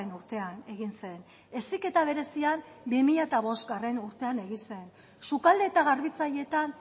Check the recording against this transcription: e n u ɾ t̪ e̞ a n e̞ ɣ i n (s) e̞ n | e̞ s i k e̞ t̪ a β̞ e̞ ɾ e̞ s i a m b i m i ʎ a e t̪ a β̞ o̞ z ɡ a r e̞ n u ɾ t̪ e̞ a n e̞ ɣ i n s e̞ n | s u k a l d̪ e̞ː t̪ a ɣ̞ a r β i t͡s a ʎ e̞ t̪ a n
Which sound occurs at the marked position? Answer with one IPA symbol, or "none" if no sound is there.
s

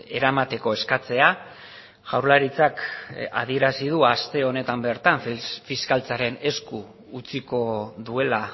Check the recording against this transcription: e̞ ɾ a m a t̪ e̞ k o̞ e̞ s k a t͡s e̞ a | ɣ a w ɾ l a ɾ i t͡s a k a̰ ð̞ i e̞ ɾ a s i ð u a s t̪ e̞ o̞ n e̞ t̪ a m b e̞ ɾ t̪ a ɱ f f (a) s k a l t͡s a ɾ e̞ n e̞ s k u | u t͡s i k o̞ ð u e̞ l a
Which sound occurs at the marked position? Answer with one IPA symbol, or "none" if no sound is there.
i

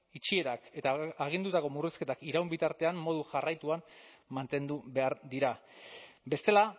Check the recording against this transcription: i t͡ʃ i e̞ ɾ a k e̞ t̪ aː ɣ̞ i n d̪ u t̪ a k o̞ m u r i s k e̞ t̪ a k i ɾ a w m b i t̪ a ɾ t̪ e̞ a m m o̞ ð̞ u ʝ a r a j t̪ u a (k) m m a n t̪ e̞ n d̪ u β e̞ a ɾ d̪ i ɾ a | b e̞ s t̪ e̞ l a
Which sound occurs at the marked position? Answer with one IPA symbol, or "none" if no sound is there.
none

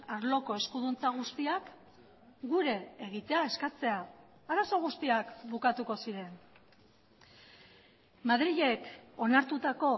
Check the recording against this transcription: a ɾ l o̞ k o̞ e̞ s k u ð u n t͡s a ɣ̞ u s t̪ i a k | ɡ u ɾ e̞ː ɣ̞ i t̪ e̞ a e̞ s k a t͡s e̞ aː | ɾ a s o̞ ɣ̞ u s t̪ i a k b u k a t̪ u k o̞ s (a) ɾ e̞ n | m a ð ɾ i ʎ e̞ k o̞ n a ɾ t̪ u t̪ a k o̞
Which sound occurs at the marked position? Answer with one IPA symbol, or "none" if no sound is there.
i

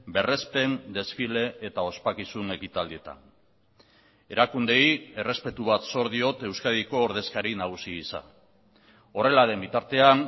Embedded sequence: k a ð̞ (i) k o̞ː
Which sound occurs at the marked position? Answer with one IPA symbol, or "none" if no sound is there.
i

